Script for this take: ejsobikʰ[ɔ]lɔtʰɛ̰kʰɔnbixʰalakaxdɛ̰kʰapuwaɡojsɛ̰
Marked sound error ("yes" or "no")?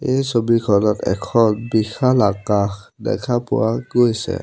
no